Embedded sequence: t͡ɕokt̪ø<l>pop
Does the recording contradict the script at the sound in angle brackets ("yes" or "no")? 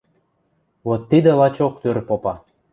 yes